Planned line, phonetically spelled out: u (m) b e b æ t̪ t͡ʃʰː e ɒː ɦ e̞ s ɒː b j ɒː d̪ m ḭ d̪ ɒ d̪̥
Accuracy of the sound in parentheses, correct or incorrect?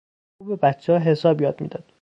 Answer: incorrect: none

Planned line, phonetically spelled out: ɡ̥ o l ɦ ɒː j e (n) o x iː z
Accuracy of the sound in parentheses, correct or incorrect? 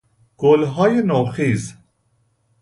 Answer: correct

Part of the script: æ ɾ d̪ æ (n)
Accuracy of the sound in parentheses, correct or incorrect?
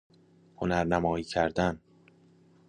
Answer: correct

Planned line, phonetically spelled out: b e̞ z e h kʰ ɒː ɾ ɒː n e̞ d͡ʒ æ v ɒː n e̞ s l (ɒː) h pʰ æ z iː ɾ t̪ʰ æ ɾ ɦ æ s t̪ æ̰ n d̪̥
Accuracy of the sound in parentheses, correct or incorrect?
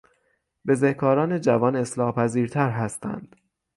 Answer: correct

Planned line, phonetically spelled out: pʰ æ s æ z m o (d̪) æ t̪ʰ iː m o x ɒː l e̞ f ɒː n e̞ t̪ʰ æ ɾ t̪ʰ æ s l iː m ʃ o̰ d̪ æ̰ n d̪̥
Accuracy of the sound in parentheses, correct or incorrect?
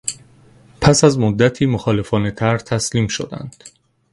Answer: incorrect: d̪ː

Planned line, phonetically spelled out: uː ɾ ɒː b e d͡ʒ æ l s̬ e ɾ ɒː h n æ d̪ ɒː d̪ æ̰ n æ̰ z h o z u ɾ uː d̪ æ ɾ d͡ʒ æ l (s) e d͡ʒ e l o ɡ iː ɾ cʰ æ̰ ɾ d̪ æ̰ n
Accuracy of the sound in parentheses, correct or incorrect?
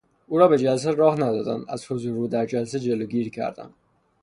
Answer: correct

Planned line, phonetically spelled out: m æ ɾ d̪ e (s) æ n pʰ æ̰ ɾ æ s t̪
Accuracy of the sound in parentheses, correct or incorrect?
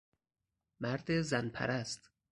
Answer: incorrect: z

